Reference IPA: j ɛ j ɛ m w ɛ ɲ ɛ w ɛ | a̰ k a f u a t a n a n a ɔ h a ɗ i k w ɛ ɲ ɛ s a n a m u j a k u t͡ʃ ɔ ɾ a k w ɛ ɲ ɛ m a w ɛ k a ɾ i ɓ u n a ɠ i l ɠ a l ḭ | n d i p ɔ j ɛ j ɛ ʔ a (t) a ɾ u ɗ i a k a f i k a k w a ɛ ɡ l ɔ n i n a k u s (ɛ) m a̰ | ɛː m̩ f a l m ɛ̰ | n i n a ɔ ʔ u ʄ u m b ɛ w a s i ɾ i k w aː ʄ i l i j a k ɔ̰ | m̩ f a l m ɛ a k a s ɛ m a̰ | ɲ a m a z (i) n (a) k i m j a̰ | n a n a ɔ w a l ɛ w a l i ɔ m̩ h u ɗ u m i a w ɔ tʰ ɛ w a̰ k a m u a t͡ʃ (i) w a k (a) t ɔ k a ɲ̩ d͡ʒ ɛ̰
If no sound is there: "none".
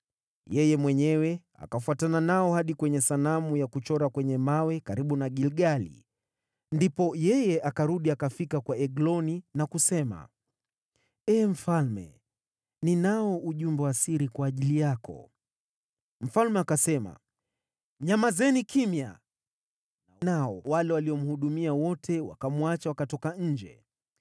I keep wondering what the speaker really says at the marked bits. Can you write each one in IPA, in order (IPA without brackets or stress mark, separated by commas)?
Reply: k, ɛ, ɛ, i, a, a